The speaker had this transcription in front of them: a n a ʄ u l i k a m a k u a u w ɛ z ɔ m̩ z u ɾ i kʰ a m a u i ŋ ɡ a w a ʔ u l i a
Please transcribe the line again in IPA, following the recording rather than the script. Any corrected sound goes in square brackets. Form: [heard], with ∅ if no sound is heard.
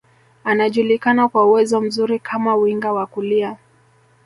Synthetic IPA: a n a ʄ u l i k a [n] a k [w] a u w ɛ z ɔ m̩ z u ɾ i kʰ a m a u i ŋ ɡ a w a [k] u l i a